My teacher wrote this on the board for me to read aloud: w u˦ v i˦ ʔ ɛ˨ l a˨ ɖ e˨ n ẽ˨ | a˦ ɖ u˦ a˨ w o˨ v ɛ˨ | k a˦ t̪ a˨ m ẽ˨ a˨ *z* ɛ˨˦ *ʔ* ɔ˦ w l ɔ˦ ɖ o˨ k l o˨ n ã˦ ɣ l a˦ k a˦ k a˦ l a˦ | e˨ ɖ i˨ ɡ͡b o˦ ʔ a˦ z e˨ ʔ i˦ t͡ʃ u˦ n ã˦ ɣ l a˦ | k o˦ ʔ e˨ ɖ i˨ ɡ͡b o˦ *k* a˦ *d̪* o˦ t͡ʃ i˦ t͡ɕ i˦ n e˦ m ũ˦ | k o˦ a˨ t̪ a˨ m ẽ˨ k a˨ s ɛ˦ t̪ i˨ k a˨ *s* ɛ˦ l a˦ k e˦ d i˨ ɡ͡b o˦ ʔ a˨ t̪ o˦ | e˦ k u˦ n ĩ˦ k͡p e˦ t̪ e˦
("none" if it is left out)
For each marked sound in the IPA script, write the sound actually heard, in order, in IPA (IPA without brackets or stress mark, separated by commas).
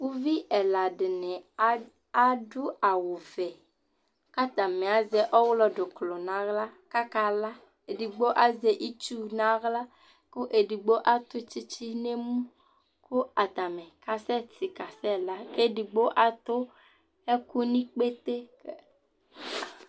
z, ʔ, ʔ, t̪, s